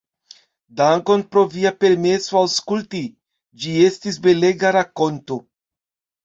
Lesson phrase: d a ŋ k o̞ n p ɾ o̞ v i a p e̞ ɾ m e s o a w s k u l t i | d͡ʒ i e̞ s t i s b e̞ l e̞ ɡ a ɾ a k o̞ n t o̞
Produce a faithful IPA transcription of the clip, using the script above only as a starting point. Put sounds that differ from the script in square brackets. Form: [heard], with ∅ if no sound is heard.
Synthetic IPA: d a ŋ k o̞ n p ɾ o̞ v i a p e̞ ɾ m e s o a w s k u l t i | d͡ʒ i e̞ s t i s b e̞ l e̞ ɡ a ɾ a k o̞ n t o̞